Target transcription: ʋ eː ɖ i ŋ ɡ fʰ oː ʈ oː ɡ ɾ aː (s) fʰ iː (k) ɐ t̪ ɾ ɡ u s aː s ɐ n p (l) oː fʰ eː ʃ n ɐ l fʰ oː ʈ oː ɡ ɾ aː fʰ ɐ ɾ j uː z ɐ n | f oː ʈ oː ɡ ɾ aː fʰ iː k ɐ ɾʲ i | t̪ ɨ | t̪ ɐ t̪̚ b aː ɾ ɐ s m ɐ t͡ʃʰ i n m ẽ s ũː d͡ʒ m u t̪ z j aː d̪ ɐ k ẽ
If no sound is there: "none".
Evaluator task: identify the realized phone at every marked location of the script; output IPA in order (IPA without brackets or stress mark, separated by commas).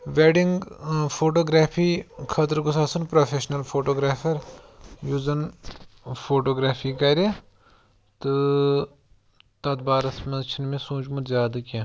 none, kʰ, ɾ